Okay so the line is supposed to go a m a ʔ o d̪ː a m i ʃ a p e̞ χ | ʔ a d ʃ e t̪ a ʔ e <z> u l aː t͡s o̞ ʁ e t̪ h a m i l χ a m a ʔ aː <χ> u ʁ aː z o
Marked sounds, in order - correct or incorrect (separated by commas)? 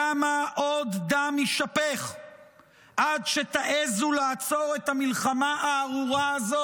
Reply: correct, incorrect